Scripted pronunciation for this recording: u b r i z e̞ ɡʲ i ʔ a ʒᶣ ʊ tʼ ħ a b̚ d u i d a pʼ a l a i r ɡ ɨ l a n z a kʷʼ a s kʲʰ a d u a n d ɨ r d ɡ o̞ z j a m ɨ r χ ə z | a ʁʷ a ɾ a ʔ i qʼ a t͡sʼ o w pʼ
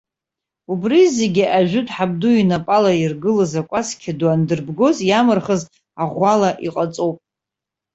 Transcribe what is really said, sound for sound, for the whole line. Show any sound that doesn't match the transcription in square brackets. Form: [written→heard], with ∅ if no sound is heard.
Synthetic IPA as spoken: u b r i z e̞ ɡʲ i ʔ a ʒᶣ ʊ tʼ ħ a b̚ d u i [d→n] a pʼ a l a i r ɡ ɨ l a [n→∅] z a kʷʼ a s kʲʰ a d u a n d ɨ r [d→b] ɡ o̞ z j a m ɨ r χ ə z | a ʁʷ a [ɾ→l] a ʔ i qʼ a t͡sʼ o w pʼ